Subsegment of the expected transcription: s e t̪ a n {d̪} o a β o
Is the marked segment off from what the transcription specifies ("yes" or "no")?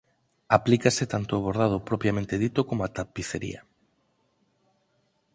yes